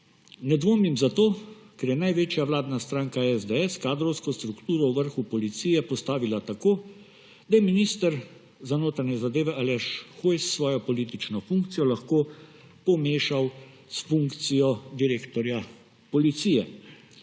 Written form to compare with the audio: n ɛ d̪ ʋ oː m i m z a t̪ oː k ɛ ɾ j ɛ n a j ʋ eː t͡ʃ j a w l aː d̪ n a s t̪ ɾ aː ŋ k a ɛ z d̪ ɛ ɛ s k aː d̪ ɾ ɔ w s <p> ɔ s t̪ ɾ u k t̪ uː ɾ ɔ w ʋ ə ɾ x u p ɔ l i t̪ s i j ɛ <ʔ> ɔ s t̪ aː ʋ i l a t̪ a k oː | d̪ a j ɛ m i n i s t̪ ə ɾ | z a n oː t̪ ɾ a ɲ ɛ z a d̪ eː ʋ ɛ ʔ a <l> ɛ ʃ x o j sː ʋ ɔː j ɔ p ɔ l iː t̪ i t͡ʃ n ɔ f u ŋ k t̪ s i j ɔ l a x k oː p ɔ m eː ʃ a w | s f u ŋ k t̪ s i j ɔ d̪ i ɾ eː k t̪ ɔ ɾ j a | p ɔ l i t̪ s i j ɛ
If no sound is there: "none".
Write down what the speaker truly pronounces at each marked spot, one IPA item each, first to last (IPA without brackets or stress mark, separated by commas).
k, p, l